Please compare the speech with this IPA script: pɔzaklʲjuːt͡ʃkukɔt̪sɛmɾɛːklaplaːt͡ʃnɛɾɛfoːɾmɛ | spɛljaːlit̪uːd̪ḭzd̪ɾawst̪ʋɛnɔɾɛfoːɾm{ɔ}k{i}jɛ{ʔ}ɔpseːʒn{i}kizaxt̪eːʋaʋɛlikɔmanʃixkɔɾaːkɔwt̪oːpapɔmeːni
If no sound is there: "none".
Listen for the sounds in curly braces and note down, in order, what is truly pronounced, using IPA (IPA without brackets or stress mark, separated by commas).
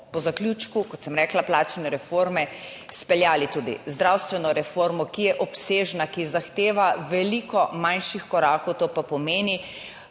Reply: ɔ, i, ʔ, a